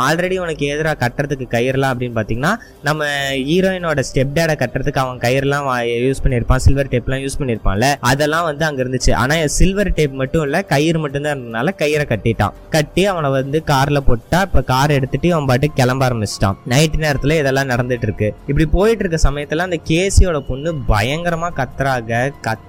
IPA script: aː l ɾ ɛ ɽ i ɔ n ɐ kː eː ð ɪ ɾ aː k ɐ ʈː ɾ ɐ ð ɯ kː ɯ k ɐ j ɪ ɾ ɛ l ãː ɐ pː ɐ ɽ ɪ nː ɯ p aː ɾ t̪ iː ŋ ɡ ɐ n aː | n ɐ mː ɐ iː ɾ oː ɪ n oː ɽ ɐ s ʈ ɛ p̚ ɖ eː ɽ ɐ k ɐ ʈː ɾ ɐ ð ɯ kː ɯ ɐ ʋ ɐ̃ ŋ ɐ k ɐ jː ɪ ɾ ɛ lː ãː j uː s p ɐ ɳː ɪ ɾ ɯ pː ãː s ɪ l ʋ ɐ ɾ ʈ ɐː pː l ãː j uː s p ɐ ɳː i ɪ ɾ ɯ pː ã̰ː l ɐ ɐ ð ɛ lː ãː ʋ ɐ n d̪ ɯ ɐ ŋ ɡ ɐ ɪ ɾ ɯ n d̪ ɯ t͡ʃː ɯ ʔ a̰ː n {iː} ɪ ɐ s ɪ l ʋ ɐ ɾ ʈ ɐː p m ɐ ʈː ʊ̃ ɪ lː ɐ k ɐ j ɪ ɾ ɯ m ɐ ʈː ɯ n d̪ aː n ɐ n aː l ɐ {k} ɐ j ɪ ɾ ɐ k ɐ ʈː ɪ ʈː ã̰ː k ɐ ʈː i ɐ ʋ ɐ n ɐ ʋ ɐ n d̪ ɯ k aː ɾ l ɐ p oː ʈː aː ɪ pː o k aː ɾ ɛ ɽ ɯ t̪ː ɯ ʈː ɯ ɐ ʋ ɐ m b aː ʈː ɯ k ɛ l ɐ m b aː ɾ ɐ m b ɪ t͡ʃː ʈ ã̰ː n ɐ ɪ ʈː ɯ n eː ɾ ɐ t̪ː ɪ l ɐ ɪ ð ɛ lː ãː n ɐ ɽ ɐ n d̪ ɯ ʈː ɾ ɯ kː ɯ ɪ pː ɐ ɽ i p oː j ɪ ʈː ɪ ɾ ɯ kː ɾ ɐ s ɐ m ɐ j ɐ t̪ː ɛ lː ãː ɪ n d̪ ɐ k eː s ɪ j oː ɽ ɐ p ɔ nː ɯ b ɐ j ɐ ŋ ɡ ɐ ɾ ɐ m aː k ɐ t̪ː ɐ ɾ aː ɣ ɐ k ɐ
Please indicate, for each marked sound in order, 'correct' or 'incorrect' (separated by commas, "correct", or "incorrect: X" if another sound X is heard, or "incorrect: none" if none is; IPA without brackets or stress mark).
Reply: incorrect: aː, correct